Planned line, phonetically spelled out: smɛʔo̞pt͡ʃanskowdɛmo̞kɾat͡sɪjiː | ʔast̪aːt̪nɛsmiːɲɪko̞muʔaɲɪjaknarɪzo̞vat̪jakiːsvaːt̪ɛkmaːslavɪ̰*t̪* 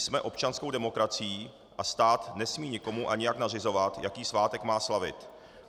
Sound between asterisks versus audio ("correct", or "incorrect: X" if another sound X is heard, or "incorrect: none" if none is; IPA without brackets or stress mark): correct